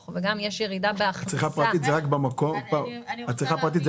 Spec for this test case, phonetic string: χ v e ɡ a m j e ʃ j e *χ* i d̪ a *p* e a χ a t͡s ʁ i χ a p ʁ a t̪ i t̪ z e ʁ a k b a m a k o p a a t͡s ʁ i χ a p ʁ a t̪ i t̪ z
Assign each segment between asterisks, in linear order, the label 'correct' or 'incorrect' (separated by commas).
incorrect, incorrect